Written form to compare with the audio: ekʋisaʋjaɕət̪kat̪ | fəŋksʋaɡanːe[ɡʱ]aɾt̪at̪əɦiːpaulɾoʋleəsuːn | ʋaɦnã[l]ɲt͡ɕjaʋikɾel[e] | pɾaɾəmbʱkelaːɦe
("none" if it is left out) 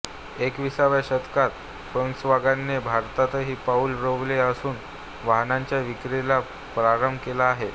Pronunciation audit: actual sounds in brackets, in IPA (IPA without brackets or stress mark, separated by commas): bʱ, none, a